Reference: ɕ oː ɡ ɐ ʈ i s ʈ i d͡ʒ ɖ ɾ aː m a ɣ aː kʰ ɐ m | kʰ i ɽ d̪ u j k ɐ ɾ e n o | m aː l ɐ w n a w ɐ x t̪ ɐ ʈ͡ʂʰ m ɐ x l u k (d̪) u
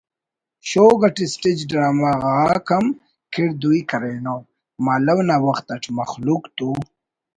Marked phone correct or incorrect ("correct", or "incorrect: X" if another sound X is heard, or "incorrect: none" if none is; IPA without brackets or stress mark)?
incorrect: t̪